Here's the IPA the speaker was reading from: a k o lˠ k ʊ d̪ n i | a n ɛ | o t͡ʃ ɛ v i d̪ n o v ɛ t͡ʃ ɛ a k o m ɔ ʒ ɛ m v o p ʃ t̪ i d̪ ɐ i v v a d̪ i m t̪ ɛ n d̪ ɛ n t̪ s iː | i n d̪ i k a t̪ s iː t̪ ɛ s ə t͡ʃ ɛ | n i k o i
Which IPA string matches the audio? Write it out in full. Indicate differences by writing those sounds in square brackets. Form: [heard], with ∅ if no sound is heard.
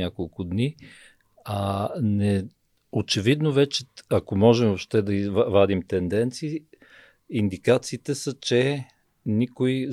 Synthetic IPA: a k o lˠ k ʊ d̪ n i | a n ɛ | o t͡ʃ ɛ v i d̪ n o v ɛ t͡ʃ ɛ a k o m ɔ ʒ ɛ m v o p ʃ t̪ [ɛ] d̪ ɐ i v v a d̪ i m t̪ ɛ n d̪ ɛ n t̪ s iː | i n d̪ i k a t̪ s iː t̪ ɛ s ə t͡ʃ ɛ | n i k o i